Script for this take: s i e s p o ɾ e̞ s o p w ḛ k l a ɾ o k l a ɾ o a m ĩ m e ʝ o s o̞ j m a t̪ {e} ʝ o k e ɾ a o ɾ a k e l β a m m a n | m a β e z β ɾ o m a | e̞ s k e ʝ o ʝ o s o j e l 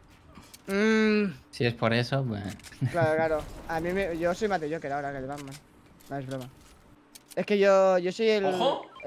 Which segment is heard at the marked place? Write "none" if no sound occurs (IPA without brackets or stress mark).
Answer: e